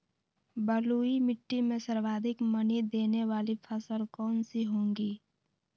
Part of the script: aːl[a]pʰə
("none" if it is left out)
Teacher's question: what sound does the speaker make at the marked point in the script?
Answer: i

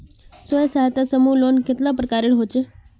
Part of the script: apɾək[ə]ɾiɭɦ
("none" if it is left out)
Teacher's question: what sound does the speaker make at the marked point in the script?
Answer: a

